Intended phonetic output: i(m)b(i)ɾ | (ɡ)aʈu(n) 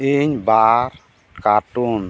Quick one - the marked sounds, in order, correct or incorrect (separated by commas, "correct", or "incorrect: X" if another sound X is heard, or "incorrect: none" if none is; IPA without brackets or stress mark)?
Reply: incorrect: ɲ, incorrect: a, incorrect: k, correct